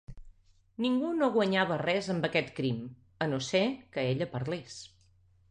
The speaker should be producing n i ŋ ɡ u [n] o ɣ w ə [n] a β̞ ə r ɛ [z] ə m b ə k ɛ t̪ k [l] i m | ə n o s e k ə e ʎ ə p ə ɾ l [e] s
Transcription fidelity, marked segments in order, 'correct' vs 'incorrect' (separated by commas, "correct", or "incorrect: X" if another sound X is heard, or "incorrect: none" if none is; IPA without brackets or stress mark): correct, incorrect: ɲ, correct, incorrect: ɾ, correct